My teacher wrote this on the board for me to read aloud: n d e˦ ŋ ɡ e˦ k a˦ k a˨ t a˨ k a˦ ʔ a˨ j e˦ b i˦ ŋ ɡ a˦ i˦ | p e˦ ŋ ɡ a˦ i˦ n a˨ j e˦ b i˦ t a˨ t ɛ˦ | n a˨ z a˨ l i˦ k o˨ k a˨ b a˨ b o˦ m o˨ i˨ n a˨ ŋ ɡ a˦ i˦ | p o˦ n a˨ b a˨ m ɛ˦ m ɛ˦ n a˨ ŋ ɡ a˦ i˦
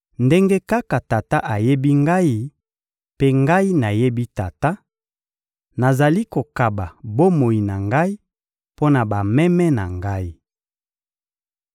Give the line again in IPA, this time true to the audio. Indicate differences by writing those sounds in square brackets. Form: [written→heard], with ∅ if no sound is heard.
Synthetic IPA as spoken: n d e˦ ŋ ɡ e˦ k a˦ k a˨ t a˨ [k→t] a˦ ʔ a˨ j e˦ b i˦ ŋ ɡ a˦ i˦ | p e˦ ŋ ɡ a˦ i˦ n a˨ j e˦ b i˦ t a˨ t [ɛ˦→a˦] | n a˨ z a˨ l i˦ k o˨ k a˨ b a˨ b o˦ m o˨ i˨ n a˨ ŋ ɡ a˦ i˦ | p o˦ n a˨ b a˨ m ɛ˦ m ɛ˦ n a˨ ŋ ɡ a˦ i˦